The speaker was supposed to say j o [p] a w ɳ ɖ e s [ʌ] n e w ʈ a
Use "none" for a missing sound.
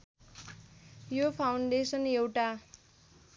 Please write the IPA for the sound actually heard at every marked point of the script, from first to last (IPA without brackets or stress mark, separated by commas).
pʰ, ʌ